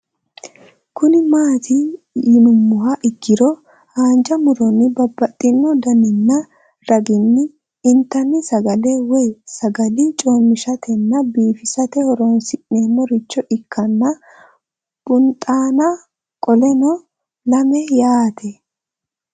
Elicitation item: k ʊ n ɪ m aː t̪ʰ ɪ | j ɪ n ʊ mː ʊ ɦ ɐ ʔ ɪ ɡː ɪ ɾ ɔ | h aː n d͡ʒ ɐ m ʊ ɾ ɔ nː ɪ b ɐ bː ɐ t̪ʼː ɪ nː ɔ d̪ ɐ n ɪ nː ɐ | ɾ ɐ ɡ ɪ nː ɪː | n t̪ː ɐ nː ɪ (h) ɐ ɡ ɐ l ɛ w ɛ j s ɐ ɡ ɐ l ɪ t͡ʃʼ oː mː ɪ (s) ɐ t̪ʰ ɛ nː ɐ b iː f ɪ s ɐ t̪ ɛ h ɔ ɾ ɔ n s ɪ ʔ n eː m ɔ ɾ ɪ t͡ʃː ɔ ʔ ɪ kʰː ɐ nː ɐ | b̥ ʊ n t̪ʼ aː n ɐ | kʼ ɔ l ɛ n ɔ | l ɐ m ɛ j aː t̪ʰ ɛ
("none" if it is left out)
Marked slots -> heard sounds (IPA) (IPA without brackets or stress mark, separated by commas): s, ʃ